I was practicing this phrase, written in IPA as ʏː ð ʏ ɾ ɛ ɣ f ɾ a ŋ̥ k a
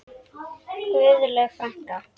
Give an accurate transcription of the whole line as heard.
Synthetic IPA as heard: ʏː ð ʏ l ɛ ɣ f ɾ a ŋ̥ k a